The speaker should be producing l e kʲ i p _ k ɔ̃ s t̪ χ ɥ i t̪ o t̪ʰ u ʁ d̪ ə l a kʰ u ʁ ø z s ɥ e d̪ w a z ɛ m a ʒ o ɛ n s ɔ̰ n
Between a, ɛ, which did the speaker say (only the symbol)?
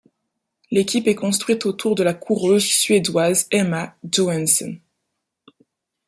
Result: ɛ